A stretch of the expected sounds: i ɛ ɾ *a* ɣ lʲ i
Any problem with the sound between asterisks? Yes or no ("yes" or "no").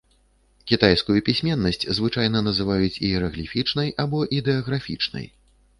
yes